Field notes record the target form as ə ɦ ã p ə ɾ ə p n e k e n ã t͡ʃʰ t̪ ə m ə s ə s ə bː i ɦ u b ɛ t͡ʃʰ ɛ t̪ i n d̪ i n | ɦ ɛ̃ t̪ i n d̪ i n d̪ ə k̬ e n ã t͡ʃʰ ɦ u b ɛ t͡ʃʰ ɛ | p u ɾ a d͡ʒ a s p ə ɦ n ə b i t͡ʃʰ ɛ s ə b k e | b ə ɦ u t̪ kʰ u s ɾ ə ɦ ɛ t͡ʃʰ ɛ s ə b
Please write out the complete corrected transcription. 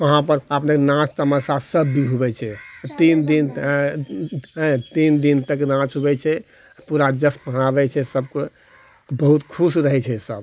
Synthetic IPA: ə ɦ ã p ə ɾ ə p n e k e n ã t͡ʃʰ t̪ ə m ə s a s ə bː i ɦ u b ɛ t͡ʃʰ ɛ t̪ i n d̪ i n | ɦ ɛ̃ t̪ i n d̪ i n t̪ ə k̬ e n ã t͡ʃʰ ɦ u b ɛ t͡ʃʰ ɛ | p u ɾ a d͡ʒ ə s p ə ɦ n a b ɛ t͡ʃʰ ɛ s ə b k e | b ə ɦ u t̪ kʰ u s ɾ ə ɦ ɛ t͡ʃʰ ɛ s ə b

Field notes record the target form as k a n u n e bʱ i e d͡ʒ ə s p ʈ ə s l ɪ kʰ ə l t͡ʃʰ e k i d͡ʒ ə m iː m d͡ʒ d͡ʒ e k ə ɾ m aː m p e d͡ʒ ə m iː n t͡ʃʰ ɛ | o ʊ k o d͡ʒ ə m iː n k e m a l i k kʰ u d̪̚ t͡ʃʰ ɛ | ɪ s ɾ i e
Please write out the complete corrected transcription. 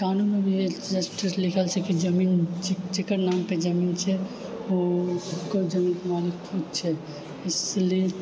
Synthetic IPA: k a n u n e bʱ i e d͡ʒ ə s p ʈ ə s l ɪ kʰ ə l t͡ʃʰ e k i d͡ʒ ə m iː n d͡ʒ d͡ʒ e k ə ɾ n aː m p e d͡ʒ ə m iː n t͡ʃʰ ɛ | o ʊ k o d͡ʒ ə m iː n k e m a l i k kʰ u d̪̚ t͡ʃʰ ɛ | ɪ s l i e

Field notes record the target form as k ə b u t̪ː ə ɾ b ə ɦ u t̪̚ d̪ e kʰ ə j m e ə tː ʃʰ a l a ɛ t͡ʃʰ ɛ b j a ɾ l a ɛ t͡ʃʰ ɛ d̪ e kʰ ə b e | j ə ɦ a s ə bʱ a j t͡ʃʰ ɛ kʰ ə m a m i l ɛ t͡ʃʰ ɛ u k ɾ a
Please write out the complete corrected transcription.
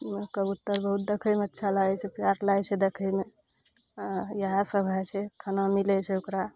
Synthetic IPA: k ə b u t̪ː ə ɾ b ə ɦ u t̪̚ d̪ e kʰ ə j m e ə tː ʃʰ a l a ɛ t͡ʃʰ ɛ p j a ɾ l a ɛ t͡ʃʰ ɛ d̪ e kʰ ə m e | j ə ɦ a s ə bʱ a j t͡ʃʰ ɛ kʰ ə n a m i l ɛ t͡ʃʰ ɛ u k ɾ a

